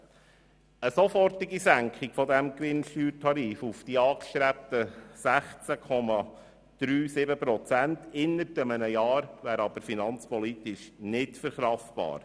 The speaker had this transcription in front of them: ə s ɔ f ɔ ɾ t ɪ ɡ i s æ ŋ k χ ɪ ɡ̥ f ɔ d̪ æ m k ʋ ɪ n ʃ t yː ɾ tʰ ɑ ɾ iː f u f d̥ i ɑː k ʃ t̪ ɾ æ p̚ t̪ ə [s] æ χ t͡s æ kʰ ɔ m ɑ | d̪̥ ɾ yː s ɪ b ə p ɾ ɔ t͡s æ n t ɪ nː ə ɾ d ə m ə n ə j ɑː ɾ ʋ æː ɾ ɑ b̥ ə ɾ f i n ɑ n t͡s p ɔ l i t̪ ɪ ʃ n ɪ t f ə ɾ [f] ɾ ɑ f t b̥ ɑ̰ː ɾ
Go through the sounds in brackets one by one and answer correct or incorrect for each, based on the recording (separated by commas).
correct, incorrect